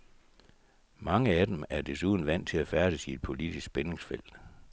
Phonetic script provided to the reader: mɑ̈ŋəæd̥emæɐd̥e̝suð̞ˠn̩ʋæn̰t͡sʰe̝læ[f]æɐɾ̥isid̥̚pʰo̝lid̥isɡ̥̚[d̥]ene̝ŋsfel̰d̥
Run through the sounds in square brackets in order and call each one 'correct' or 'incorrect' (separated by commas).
correct, incorrect